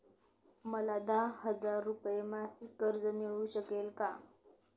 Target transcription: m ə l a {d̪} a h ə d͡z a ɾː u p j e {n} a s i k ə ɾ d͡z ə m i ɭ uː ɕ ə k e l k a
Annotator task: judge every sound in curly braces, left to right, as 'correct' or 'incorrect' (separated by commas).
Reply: correct, incorrect